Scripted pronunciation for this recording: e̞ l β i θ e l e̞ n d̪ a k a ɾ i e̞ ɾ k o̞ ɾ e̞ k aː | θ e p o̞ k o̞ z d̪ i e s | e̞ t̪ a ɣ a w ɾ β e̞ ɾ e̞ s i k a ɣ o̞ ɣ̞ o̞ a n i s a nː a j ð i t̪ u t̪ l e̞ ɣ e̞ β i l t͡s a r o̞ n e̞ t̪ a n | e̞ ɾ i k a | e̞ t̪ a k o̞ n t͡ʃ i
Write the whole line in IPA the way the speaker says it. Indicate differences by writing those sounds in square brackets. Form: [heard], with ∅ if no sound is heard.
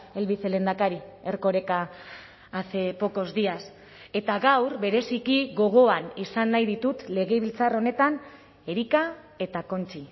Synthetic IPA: e̞ l β i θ e l e̞ n d̪ a k a ɾ i e̞ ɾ k o̞ ɾ e̞ k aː | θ e p o̞ k o̞ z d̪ i [a] s | e̞ t̪ a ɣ a w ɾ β e̞ ɾ e̞ s i k [i] ɣ o̞ ɣ̞ o̞ a n i s a nː a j ð i t̪ u t̪ l e̞ ɣ e̞ β i l t͡s a r o̞ n e̞ t̪ a n | e̞ ɾ i k a | e̞ t̪ a k o̞ n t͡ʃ i